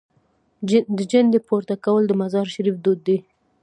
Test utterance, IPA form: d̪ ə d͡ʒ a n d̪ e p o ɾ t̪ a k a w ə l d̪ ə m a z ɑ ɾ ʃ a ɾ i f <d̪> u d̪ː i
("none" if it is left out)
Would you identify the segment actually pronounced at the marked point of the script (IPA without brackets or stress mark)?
d̪